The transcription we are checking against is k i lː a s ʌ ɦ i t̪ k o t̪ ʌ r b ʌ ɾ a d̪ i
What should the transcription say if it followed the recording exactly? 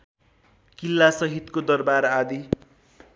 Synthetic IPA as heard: k i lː a s ʌ ɦ i t̪ k o d̪ ʌ r b a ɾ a d̪ i